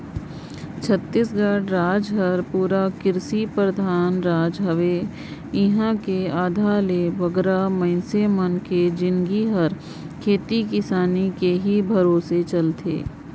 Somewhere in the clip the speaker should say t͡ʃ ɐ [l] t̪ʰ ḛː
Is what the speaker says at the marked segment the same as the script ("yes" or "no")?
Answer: yes